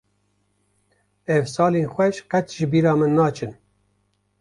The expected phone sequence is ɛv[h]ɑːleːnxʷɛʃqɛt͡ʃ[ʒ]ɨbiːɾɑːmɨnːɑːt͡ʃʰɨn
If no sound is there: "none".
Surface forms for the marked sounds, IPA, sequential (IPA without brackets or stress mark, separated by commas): s, ʒ